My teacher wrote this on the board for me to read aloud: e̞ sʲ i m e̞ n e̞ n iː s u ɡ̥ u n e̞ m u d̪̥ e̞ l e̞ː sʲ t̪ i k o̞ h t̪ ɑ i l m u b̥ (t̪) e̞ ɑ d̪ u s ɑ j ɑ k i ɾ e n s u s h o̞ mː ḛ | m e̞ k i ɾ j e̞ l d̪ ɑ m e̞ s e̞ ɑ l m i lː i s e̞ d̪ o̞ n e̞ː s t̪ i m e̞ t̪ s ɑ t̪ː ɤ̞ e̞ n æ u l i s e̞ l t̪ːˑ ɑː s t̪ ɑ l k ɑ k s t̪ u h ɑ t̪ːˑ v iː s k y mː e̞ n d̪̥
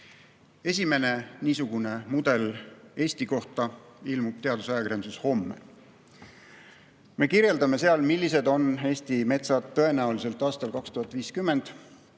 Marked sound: correct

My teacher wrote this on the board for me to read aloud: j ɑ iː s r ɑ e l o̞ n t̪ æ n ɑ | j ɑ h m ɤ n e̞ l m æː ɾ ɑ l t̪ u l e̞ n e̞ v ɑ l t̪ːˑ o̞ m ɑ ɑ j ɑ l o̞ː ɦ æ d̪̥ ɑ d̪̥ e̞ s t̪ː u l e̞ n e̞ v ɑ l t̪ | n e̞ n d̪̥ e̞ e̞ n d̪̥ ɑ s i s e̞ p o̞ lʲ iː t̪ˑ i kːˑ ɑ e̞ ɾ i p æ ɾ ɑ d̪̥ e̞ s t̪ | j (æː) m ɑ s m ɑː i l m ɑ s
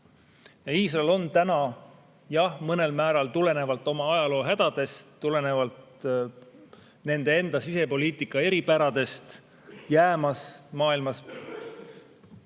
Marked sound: correct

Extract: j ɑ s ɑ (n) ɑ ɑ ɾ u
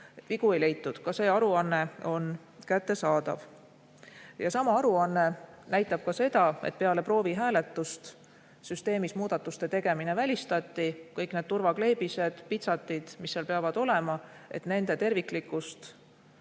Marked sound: incorrect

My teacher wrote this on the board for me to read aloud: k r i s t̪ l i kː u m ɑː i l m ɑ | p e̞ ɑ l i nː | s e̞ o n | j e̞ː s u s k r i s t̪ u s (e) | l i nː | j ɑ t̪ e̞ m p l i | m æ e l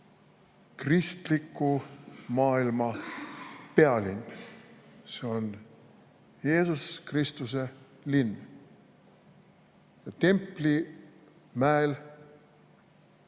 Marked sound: correct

